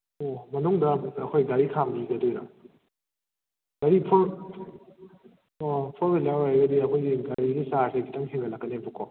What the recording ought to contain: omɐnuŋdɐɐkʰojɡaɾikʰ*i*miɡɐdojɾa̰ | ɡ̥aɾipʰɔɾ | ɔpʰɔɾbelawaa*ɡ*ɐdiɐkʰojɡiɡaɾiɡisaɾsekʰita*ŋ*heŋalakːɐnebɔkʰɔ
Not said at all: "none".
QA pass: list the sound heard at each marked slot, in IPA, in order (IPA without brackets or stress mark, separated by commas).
a, ɡ, ŋ